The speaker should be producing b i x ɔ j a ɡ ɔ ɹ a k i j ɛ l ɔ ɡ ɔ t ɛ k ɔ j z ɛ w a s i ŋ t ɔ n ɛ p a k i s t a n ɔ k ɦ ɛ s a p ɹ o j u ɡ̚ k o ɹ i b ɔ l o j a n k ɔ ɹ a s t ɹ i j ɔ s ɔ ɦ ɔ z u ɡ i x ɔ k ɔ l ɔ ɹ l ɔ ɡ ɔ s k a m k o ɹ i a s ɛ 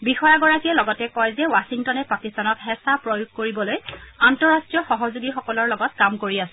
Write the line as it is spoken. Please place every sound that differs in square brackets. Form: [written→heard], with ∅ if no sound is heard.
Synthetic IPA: b i x ɔ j a ɡ ɔ ɹ a k i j ɛ l ɔ ɡ ɔ t ɛ k ɔ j z ɛ w a s i ŋ t ɔ n ɛ p a k i s t a n ɔ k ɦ ɛ s a p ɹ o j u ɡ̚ k o ɹ i b ɔ l o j a n [k→t] ɔ ɹ a s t ɹ i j ɔ [s→x] ɔ ɦ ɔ z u ɡ i x ɔ k ɔ l ɔ ɹ l ɔ ɡ ɔ [s→t] k a m k o ɹ i a s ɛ